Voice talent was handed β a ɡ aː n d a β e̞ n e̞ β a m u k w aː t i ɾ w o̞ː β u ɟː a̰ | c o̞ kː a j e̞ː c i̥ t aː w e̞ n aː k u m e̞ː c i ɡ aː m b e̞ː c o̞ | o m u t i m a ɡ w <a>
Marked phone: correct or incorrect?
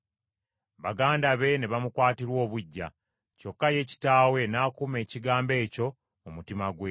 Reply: incorrect